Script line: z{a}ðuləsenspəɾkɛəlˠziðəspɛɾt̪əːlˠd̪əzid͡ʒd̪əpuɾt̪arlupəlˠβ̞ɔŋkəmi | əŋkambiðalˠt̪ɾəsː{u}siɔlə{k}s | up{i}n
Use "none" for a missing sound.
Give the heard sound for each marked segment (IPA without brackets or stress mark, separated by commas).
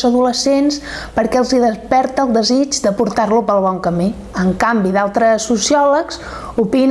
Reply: ə, u, k, i